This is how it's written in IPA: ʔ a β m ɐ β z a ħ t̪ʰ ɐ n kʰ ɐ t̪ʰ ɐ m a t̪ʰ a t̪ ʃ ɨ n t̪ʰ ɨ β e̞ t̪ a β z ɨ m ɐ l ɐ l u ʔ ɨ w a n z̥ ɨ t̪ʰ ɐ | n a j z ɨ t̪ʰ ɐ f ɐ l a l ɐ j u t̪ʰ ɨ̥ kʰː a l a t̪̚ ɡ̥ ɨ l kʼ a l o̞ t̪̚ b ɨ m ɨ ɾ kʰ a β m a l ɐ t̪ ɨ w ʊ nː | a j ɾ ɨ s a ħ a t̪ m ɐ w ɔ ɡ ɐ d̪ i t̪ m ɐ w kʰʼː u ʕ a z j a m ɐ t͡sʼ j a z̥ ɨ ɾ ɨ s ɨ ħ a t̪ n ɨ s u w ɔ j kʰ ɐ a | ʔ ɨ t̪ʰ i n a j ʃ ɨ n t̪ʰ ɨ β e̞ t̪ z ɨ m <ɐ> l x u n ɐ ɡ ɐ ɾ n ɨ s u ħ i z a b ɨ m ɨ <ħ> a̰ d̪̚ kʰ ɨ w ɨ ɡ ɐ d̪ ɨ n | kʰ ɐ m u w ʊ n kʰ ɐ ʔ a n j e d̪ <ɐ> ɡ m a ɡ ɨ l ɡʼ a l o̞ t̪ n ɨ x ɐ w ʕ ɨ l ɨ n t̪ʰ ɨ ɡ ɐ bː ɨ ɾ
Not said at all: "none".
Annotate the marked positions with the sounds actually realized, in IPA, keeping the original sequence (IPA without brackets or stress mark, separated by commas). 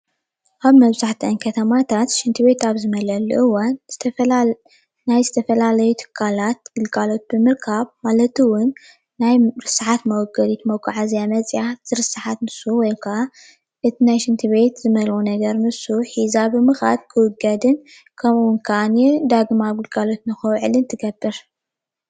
ɐ, x, a